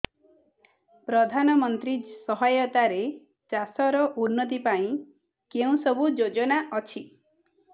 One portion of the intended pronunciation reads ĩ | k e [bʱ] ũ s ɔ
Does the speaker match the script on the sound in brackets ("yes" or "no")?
no